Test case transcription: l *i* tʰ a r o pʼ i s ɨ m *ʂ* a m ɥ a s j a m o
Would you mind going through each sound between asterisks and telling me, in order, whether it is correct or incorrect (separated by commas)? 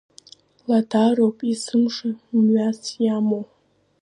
incorrect, correct